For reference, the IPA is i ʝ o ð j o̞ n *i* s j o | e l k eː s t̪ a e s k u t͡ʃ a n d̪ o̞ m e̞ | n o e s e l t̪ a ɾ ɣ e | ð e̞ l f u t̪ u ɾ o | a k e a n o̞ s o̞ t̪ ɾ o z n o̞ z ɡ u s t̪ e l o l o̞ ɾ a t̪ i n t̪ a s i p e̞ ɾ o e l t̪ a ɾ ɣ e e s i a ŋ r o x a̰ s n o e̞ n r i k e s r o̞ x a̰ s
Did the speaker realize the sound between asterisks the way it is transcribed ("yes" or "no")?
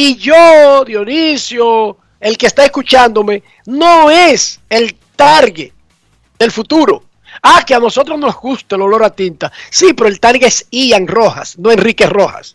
yes